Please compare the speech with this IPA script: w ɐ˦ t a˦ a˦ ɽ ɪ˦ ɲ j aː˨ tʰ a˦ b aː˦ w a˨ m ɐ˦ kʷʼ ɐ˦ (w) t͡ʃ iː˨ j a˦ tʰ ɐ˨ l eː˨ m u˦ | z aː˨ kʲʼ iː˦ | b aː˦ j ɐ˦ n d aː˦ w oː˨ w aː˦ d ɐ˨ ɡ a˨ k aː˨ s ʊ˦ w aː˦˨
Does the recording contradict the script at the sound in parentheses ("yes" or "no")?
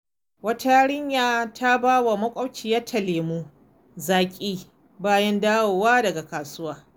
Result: no